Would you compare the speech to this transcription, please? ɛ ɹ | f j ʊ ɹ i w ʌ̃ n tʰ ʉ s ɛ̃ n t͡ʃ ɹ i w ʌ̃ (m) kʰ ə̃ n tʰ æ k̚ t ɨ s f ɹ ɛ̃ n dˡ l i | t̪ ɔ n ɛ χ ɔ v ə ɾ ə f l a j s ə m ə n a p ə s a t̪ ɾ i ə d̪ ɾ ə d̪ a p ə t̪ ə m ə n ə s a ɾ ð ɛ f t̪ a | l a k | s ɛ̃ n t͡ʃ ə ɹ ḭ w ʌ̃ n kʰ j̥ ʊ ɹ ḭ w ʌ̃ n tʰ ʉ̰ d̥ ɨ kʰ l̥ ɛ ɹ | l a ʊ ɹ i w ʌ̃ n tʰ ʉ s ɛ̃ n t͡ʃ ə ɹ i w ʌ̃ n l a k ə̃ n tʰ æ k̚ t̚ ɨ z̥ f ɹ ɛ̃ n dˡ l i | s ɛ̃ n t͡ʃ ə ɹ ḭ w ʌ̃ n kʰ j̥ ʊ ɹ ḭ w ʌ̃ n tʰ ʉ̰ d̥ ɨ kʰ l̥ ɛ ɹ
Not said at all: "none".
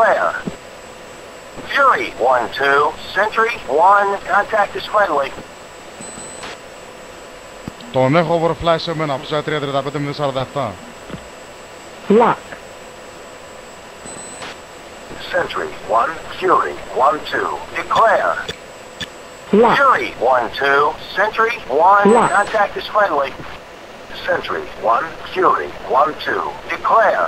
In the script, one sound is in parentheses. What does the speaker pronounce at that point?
n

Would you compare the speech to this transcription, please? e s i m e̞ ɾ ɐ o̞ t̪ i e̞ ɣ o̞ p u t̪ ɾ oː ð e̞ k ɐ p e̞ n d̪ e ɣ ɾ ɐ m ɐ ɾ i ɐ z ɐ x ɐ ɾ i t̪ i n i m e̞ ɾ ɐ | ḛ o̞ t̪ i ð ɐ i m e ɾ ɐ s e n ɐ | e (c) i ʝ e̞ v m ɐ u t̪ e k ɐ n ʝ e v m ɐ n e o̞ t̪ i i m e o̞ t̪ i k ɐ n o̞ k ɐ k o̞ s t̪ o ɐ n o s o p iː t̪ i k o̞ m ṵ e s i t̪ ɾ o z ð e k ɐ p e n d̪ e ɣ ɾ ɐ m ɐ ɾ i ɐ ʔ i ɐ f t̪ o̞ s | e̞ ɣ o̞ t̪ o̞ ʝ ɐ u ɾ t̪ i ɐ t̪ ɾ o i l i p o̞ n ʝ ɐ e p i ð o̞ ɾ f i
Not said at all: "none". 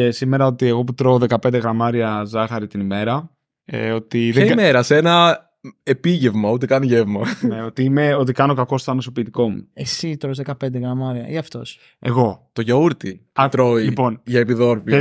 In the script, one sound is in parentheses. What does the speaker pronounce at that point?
p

